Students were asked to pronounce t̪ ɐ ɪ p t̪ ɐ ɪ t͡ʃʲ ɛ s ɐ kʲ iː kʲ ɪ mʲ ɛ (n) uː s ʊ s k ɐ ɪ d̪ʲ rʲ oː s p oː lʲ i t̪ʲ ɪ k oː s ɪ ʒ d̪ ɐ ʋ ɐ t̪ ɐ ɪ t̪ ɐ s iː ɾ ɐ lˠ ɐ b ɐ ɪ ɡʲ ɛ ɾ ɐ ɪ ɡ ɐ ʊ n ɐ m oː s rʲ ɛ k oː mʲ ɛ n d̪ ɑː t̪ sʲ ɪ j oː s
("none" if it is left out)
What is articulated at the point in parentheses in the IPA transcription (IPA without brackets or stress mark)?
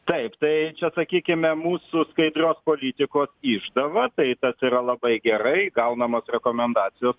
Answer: m